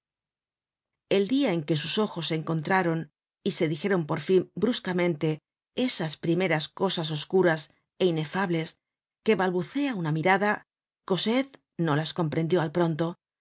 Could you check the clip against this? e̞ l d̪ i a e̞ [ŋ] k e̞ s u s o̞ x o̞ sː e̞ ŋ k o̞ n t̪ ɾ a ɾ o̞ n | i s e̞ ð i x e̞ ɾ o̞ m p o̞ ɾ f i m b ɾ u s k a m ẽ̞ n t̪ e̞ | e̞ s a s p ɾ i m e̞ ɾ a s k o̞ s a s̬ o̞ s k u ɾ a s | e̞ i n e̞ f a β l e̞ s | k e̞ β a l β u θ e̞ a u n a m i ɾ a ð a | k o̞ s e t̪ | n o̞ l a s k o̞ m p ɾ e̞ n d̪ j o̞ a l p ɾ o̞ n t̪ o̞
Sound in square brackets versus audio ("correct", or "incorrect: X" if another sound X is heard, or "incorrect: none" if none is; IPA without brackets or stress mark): correct